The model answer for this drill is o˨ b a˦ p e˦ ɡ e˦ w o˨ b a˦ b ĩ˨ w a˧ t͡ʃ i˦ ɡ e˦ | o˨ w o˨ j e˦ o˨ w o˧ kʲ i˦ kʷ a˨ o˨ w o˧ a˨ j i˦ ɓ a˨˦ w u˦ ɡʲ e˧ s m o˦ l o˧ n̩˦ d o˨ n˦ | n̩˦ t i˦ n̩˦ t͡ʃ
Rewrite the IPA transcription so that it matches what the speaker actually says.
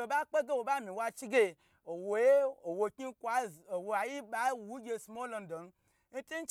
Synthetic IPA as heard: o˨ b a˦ k͡p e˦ ɡ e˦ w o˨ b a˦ m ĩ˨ w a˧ t͡ʃ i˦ ɡ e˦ | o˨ w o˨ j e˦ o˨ w o˧ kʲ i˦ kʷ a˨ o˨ w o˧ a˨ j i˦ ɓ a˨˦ w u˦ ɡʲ e˧ s m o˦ l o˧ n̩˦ d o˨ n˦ | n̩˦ t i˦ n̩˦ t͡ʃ

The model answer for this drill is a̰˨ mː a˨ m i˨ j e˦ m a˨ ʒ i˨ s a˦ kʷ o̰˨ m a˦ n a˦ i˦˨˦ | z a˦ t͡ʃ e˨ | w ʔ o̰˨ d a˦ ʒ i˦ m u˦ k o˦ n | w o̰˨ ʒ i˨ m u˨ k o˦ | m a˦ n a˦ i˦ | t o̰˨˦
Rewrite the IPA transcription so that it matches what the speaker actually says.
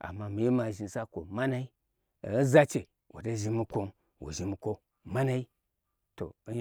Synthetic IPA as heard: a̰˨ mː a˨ m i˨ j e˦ m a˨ ʒ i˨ s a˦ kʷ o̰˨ m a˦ n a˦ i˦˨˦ | z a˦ t͡ʃ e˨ | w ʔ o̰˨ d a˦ ʒ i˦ m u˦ k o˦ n | w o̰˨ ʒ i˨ m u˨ k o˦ | m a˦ n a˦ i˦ | t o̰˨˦

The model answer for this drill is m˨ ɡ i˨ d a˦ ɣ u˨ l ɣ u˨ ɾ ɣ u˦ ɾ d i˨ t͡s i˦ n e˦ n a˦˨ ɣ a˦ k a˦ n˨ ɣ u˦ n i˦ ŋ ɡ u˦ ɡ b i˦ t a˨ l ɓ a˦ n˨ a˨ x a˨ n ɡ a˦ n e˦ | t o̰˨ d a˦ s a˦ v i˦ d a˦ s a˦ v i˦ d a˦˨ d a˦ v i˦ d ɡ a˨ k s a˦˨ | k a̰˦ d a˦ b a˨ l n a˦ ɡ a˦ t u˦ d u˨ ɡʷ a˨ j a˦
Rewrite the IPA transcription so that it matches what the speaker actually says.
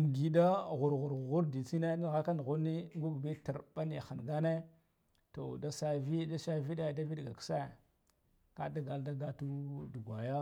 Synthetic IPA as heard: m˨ ɡ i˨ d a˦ ɣ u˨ ɾ ɣ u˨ ɾ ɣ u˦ ɾ d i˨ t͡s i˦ n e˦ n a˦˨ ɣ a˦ k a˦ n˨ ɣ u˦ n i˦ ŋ ɡ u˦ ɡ b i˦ t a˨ ɾ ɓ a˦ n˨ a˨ x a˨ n ɡ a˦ n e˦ | t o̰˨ d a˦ s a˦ v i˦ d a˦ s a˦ v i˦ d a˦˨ d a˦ v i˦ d ɡ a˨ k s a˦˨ | k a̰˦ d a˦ ɡ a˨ l d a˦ ɡ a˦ t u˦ d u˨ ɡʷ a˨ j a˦

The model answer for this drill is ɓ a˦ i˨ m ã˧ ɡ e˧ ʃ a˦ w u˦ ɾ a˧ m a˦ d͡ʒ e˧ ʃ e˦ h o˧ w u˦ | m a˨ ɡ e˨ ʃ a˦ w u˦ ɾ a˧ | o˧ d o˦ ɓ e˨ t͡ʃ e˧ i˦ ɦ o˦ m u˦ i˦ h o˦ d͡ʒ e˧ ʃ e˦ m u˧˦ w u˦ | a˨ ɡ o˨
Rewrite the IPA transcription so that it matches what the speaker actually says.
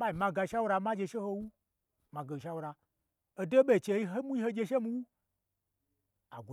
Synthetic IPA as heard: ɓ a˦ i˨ m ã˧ ɡ a˧ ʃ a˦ w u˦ ɾ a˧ m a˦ d͡ʒ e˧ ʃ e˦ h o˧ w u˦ | m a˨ ɡ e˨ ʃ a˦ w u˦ ɾ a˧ | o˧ d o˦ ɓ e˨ t͡ʃ e˧ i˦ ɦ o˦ m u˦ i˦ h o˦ d͡ʒ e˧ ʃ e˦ m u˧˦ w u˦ | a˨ ɡ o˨

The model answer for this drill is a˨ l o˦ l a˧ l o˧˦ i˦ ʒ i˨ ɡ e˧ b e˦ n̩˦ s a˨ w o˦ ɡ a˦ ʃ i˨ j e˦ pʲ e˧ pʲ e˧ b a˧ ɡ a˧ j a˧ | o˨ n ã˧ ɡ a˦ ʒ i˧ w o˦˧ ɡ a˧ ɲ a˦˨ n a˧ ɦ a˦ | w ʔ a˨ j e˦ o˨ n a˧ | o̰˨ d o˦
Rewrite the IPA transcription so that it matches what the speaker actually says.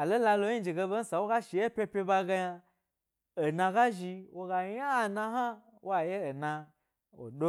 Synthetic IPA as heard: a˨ l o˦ l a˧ l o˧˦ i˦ d͡ʒ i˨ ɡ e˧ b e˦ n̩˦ s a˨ w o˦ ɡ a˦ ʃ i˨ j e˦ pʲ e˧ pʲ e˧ b a˧ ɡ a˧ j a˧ | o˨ n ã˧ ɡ a˦ ʒ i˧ w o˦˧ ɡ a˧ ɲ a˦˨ n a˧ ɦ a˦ | w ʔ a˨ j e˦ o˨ n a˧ | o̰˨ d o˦

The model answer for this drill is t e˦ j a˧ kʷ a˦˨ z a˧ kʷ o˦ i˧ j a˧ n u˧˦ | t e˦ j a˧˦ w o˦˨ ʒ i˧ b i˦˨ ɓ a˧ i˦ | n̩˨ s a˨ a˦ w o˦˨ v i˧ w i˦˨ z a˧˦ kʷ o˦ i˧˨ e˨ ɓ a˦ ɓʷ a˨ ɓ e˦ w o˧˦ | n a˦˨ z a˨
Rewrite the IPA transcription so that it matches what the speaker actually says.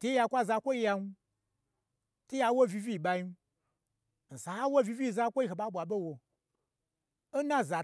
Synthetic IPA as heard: t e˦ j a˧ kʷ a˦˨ z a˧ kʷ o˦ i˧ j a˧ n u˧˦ | t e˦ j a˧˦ w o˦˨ v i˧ v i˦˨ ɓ a˧ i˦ | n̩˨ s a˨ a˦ w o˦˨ v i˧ v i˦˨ z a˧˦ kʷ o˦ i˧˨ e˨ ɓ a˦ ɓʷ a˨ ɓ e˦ w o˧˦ | n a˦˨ z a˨

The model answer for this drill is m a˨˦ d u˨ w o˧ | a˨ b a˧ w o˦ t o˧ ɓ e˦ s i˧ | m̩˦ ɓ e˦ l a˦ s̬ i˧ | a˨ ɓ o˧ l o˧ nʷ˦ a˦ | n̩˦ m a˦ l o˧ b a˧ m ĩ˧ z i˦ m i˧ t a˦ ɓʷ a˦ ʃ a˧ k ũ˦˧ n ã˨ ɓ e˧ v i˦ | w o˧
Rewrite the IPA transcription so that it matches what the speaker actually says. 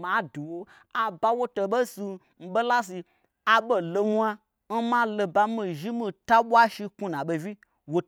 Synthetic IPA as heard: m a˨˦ d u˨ w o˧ | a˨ b a˧ w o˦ t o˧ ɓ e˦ s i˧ | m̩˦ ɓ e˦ l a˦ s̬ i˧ | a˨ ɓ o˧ l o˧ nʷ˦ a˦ | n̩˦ m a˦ l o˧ b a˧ m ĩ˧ ʒ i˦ m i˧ t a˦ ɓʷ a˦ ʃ i˧ k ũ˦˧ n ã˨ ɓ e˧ v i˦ | w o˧

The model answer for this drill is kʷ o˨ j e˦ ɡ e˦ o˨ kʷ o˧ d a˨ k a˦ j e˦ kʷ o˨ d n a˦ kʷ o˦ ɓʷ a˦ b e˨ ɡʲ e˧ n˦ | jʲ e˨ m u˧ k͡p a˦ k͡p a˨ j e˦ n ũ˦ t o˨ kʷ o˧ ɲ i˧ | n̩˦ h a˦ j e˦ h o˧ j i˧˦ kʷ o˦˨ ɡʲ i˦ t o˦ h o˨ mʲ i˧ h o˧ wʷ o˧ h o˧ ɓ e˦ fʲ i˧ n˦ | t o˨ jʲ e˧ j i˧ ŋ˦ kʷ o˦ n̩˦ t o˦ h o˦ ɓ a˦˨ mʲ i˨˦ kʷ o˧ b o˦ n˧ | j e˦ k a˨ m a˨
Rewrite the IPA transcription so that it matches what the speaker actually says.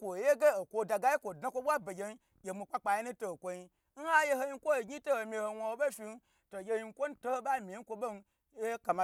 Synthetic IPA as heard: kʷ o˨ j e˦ ɡ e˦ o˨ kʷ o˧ d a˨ ɡ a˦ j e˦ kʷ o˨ d n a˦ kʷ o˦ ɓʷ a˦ b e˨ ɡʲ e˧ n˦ | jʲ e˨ m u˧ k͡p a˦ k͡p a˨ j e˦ n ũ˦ t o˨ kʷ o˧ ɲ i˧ | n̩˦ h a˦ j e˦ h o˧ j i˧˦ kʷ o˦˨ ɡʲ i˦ t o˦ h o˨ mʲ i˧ h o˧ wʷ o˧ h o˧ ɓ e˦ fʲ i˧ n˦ | t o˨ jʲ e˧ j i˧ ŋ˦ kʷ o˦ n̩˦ t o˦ h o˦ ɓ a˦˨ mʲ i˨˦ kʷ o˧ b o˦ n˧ | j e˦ k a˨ m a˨

